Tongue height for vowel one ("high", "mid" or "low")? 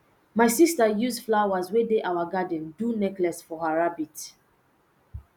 low